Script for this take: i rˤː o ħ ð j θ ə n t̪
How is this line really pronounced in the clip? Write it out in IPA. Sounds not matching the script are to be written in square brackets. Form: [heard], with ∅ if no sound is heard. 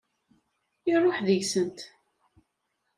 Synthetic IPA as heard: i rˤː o ħ ð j [s] ə n t̪